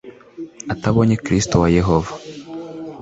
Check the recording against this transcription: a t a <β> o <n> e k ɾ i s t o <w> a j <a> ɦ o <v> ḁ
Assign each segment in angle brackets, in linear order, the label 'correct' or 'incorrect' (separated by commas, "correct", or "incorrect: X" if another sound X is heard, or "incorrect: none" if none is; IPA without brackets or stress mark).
correct, incorrect: ɲ, correct, incorrect: e, correct